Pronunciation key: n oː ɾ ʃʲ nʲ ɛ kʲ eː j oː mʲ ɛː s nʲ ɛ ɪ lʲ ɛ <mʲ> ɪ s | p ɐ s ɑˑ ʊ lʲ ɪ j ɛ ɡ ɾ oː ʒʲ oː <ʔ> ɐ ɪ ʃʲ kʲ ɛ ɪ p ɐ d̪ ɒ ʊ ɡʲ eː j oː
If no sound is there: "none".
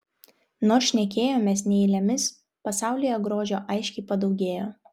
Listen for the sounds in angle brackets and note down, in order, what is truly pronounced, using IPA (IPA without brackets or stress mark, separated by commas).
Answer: mʲ, ʔ